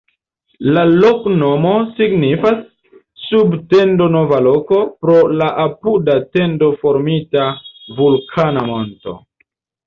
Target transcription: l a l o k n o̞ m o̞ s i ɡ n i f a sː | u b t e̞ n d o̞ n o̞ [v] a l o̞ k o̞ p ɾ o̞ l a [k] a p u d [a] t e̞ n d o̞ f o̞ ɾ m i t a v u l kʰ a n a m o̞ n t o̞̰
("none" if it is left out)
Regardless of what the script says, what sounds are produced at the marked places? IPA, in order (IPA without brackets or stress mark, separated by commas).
v, ʔ, a